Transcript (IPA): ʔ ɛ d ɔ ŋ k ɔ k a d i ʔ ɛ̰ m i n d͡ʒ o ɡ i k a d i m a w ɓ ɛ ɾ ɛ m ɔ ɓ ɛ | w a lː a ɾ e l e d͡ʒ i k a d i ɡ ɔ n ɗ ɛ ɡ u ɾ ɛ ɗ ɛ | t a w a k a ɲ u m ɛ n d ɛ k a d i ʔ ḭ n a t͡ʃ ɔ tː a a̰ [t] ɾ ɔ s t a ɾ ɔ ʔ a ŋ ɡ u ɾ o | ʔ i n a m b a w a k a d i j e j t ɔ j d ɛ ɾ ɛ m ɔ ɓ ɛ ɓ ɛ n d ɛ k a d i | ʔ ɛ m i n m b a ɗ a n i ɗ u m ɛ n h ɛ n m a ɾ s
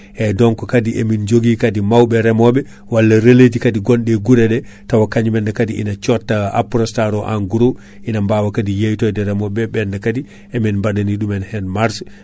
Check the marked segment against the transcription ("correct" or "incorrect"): incorrect